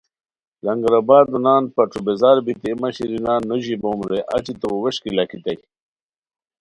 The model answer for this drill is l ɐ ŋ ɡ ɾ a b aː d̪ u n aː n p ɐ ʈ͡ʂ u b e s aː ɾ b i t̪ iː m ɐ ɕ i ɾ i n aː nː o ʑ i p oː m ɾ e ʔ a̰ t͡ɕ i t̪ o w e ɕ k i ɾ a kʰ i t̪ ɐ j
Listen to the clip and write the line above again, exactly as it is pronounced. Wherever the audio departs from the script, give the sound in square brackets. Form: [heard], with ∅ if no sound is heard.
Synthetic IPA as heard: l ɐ ŋ ɡ ɾ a b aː d̪ u n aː n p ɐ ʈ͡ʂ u b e [z] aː ɾ b i t̪ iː m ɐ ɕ i ɾ i n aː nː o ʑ i [b] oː m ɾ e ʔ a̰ t͡ɕ i t̪ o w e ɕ k i [l] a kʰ i t̪ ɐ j